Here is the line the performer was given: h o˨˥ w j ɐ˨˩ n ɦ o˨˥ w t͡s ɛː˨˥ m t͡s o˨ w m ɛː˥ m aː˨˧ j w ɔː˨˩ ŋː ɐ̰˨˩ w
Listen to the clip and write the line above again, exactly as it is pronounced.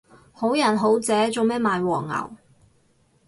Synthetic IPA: h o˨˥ w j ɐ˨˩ n ɦ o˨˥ w t͡s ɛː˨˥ t͡s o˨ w m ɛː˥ m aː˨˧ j w ɔː˨˩ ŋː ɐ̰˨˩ w

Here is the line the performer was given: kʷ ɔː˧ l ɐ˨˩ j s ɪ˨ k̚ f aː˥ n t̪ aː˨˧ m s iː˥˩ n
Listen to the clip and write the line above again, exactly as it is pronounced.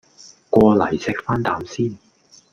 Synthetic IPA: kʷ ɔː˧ l ɐ˨˩ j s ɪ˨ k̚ f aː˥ n t̪ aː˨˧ m s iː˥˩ n

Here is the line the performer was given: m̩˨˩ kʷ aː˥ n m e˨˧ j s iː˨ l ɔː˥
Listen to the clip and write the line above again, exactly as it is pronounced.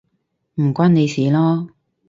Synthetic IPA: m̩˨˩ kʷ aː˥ n n e˨˧ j s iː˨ l ɔː˥

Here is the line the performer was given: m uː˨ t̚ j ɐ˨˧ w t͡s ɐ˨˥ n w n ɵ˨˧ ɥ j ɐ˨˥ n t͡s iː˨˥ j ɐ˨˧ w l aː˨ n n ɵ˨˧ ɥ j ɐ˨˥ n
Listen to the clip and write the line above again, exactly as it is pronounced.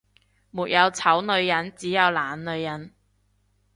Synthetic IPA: m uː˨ t̚ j ɐ˨˧ w t͡sʰ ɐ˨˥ w n ɵ˨˧ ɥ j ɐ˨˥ n t͡s iː˨˥ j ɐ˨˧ w l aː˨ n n ɵ˨˧ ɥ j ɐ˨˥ n

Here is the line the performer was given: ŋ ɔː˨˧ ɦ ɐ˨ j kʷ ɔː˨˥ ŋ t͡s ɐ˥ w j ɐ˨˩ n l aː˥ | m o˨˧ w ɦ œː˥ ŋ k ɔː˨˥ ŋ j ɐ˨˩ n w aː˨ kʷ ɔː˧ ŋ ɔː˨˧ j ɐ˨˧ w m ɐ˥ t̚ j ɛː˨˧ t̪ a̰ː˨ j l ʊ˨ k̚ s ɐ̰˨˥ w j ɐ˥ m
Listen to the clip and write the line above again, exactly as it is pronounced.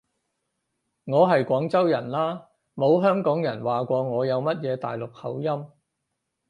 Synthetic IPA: ŋ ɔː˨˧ ɦ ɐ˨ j kʷ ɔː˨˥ ŋ t͡s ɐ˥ w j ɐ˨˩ n l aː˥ | m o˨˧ w ɦ œː˥ ŋ k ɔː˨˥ ŋ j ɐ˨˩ n w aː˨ kʷ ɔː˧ ŋ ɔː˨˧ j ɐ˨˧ w m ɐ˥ t̚ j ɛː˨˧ t̪ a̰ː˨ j l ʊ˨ k̚ h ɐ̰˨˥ w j ɐ˥ m

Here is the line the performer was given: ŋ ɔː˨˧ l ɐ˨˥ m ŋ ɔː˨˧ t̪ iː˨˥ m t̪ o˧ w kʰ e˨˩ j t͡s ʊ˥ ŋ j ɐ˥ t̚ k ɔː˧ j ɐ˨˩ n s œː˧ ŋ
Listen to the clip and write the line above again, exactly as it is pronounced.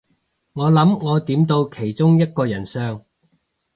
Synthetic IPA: ŋ ɔː˨˧ l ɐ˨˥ m ŋ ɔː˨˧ t̪ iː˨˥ m t̪ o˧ w kʰ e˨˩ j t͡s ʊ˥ ŋ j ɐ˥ t̚ k ɔː˧ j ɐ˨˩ n s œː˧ ŋ

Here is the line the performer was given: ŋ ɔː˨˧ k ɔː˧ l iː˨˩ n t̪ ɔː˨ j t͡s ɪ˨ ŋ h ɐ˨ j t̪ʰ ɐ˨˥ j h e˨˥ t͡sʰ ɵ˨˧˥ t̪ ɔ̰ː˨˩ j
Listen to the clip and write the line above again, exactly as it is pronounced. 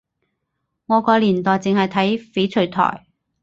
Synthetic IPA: ŋ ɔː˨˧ k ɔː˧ l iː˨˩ n t̪ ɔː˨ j t͡s ɪ˨ ŋ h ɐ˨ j t̪ʰ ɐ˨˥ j f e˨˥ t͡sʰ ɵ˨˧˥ t̪ʰ ɔ̰ː˨˩ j

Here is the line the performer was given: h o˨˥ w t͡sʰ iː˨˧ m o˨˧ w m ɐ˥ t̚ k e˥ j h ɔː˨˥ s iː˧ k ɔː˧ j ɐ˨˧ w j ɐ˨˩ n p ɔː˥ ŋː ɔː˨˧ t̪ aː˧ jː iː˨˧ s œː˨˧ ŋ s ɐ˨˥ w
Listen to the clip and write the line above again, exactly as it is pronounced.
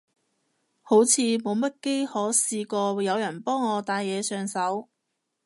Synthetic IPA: h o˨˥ w t͡sʰ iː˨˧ m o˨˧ w m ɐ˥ t̚ k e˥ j h ɔː˨˥ s iː˧ k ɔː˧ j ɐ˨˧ w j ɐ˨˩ n p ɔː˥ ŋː ɔː˨˧ t̪ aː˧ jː ɛː˨˧ s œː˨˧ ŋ s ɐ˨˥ w

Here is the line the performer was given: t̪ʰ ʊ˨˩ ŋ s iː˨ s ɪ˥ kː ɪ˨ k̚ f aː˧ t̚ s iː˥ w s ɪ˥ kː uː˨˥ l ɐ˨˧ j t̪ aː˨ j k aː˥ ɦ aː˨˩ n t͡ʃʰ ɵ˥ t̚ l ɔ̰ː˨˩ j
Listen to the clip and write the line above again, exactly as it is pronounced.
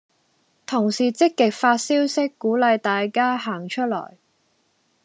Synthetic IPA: t̪ʰ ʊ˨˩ ŋ s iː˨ t͡s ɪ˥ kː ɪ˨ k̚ f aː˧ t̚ s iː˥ w s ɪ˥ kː uː˨˥ l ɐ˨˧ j t̪ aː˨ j k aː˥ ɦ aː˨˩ ŋ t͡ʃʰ ɵ˥ t̚ l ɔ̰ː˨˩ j

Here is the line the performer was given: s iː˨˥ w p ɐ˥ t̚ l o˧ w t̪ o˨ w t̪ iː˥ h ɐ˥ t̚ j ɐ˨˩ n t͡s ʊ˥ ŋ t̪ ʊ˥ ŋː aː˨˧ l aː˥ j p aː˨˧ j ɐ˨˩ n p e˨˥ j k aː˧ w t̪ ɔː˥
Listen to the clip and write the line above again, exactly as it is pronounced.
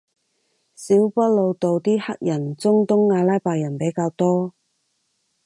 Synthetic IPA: s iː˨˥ w p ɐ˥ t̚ l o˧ w t̪ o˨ w t̪ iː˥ h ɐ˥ k̚ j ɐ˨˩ n t͡s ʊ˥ ŋ t̪ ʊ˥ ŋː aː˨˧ l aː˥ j p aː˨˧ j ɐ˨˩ n p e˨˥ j k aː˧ w t̪ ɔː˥

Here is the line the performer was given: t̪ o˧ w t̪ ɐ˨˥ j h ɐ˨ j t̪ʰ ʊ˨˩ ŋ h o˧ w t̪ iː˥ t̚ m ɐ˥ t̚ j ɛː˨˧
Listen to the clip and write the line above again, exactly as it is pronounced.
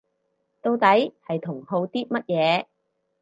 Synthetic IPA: t̪ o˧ w t̪ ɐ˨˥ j h ɐ˨ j t̪ʰ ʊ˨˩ ŋ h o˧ w t̪ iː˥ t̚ m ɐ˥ t̚ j ɛː˨˧

